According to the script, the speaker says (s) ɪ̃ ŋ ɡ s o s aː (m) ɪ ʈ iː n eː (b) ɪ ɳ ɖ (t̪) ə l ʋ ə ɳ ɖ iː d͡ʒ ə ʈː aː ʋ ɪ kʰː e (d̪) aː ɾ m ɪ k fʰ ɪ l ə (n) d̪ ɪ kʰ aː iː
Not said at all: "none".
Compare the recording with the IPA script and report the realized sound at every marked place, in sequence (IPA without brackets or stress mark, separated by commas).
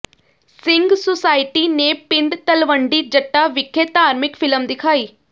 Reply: s, none, p, t̪, t̪, m